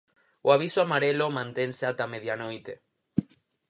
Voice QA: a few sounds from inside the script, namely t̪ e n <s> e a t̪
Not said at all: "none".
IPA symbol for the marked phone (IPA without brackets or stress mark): s